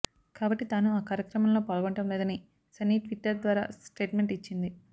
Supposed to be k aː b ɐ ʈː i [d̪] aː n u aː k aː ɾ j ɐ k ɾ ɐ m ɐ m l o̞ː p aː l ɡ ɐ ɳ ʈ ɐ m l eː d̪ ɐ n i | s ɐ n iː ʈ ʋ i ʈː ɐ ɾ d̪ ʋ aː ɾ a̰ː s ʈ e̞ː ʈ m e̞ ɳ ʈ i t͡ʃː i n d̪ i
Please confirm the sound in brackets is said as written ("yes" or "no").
no